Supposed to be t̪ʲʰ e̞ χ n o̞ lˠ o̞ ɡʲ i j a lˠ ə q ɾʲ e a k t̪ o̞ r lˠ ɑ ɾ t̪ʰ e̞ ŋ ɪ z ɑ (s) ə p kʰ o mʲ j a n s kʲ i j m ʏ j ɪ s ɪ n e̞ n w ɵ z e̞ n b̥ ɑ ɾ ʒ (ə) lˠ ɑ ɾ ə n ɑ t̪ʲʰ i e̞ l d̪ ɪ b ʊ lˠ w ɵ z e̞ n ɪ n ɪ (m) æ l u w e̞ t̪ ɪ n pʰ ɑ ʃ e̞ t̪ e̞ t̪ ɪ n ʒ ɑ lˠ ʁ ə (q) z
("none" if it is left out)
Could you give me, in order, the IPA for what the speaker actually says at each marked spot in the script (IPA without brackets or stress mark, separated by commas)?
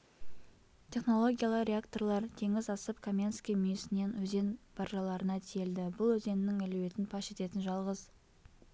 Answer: s, ɑ, ŋ, none